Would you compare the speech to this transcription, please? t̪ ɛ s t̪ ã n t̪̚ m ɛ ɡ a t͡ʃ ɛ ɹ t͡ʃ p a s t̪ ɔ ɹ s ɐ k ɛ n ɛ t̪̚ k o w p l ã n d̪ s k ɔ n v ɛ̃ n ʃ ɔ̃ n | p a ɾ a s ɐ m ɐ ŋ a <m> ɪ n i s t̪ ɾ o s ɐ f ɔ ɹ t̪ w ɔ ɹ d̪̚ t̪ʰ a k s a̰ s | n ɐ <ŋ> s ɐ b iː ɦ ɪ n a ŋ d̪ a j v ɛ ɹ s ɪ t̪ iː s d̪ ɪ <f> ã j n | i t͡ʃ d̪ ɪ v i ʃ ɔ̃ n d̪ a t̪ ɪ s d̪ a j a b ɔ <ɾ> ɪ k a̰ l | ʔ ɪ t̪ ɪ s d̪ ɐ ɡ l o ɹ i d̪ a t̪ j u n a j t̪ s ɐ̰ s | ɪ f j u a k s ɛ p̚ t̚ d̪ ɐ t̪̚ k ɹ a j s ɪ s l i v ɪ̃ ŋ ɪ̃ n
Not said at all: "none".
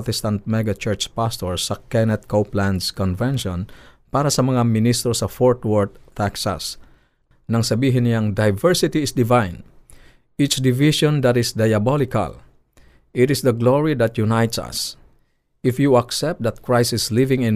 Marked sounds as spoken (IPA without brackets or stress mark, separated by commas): m, ŋ, v, l